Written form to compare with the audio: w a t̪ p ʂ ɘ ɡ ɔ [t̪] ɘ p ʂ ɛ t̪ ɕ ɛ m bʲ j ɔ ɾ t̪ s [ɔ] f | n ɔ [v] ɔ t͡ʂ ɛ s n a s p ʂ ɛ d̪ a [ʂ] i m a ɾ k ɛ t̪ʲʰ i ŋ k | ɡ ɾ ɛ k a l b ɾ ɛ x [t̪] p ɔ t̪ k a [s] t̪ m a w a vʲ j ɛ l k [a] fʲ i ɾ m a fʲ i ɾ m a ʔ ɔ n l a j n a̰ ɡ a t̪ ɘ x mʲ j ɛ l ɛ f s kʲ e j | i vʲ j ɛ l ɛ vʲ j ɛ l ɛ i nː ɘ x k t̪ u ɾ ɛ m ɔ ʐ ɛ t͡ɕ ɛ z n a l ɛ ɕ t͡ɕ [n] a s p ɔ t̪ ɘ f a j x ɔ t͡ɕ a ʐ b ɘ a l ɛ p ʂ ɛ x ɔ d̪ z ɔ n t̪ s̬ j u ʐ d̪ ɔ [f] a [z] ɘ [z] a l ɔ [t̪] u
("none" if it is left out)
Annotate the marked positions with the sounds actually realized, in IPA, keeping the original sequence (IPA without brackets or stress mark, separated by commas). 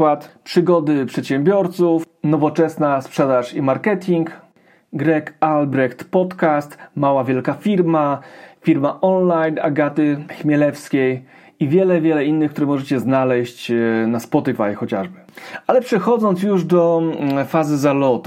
d̪, u, v, ʂ, t̪, s, a, n, f, z, z, t̪